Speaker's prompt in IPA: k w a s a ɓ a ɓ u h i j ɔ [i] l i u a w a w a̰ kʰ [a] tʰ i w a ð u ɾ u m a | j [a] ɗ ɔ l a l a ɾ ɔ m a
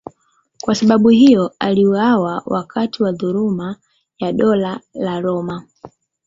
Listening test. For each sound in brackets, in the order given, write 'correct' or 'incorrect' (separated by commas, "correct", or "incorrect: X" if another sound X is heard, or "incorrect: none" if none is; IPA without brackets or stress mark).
incorrect: a, correct, correct